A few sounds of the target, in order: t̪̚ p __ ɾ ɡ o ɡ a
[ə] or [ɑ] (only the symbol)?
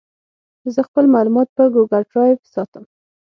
ə